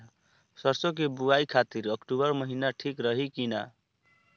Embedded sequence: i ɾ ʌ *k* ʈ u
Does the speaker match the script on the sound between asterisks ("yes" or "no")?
yes